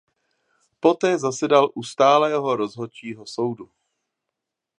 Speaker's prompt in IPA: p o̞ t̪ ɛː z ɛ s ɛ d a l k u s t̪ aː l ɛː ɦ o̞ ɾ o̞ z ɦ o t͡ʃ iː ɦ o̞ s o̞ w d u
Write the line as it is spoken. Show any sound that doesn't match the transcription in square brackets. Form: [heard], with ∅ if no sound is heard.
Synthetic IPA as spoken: p o̞ t̪ ɛː z [a] s ɛ d a l [ʔ] u s t̪ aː l ɛː ɦ o̞ ɾ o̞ z ɦ o t͡ʃ iː ɦ o̞ s o̞ w d u

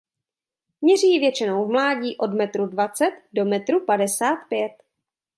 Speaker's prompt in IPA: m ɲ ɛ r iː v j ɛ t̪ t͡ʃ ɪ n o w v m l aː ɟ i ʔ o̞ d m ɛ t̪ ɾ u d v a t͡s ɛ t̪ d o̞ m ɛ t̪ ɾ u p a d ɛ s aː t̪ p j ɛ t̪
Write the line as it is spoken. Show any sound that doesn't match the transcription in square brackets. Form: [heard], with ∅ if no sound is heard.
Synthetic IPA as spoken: m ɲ ɛ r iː v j ɛ [∅] t͡ʃ ɪ n o w v m l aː ɟ [iː] ʔ o̞ d m ɛ t̪ ɾ u d v a t͡s ɛ t̪ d o̞ m ɛ t̪ ɾ u p a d ɛ s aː t̪ p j ɛ t̪

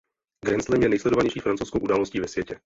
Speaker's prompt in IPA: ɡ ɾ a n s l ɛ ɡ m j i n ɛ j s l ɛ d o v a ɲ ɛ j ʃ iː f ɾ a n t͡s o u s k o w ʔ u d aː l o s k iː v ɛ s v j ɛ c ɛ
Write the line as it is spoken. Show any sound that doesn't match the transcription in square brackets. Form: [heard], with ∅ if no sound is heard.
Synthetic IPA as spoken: ɡ ɾ [ɛ] n s l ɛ [∅] m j [ɛ] n ɛ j s l ɛ d o v a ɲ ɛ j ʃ iː f ɾ a n t͡s o [w] s k o w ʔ u d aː l o s [c] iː v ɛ s v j ɛ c ɛ

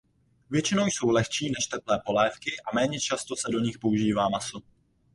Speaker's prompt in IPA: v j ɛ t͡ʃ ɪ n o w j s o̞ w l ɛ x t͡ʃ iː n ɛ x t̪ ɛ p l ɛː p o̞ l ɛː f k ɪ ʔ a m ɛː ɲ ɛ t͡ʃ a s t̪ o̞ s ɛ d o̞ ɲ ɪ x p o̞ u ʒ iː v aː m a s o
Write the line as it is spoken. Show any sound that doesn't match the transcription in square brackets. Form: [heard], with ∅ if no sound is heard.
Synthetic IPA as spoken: v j ɛ t͡ʃ ɪ n o w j s o̞ w l ɛ x t͡ʃ iː n ɛ [ʃ] t̪ ɛ p l ɛː p o̞ l ɛː f k ɪ ʔ a m ɛː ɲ ɛ t͡ʃ a s t̪ o̞ s ɛ d o̞ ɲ ɪ x p o̞ u ʒ iː v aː m a s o

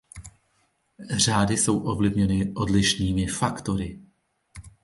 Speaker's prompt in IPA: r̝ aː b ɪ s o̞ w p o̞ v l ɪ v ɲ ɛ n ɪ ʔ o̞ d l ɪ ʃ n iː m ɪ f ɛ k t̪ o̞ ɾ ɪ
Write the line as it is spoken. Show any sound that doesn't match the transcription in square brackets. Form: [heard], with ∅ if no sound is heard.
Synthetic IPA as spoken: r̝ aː [d] ɪ s o̞ w [ʔ] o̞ v l ɪ v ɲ ɛ n ɪ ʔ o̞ d l ɪ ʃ n iː m ɪ f [a] k t̪ o̞ ɾ ɪ

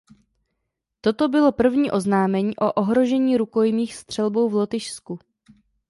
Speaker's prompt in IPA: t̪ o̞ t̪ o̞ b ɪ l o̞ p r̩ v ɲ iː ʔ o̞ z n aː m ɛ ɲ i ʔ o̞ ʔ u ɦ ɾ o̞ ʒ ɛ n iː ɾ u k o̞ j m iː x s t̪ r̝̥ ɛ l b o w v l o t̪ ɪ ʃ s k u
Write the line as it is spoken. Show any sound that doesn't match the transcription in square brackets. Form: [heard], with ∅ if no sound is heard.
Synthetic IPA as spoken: t̪ o̞ t̪ o̞ b ɪ l o̞ p r̩ v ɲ iː ʔ o̞ z n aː m ɛ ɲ [iː] ʔ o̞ ʔ [o] ɦ ɾ o̞ ʒ ɛ [ɲ] iː ɾ u k o̞ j m iː x s t̪ r̝̥ ɛ l b o w v l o t̪ ɪ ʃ s k u

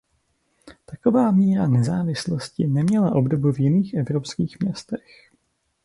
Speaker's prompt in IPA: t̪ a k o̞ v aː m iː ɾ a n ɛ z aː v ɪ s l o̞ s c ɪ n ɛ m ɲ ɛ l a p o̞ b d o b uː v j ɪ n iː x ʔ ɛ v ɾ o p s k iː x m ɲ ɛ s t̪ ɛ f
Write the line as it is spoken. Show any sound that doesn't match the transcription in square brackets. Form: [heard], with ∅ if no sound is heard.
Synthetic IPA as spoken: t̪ a k o̞ v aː m iː ɾ a n ɛ z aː v ɪ s l o̞ s c ɪ n ɛ m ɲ ɛ l a [ʔ] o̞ b d o b [u] v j ɪ n iː x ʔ ɛ v ɾ o p s k iː x m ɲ ɛ s t̪ ɛ [x]

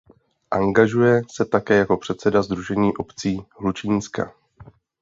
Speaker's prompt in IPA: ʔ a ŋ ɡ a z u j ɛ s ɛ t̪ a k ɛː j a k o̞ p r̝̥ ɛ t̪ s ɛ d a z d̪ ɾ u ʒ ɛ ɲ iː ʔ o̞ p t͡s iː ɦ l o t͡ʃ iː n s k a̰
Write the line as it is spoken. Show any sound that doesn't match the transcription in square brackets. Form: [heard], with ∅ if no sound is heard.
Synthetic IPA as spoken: ʔ a ŋ ɡ a [ʒ] u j ɛ s ɛ t̪ a k ɛː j a k o̞ p r̝̥ ɛ t̪ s ɛ d a z d̪ ɾ u ʒ ɛ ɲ iː ʔ o̞ p t͡s iː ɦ l [u] t͡ʃ iː n s k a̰

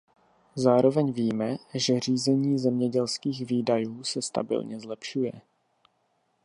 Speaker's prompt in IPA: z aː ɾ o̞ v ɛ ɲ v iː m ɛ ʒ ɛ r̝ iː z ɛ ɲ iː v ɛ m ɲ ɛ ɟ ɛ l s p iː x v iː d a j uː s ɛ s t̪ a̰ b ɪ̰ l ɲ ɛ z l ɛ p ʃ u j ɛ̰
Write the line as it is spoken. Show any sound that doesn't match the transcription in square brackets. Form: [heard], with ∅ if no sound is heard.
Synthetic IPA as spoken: z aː ɾ o̞ v ɛ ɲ v iː m ɛ ʒ ɛ r̝ iː z ɛ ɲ iː [z] ɛ m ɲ ɛ ɟ ɛ l s [k] iː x v iː d a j uː s ɛ s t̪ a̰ b ɪ̰ l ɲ ɛ z l ɛ p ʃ u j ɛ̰

